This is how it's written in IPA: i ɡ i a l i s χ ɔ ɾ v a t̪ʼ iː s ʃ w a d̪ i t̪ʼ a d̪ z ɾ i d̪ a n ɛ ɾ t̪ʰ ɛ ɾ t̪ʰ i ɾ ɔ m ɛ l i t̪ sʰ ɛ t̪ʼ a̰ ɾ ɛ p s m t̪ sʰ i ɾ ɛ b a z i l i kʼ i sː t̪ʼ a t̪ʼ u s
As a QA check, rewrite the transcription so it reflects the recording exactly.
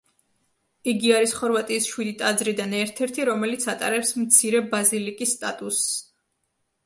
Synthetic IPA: i ɡ i a ɾ i s χ ɔ ɾ v a t̪ʼ iː s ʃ w i d̪ i t̪ʼ a d̪ z ɾ i d̪ a n ɛ ɾ t̪ʰ ɛ ɾ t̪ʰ i ɾ ɔ m ɛ l i t̪ sʰ a t̪ʼ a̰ ɾ ɛ p s m t̪ sʰ i ɾ ɛ b a z i l i kʼ i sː t̪ʼ a t̪ʼ u s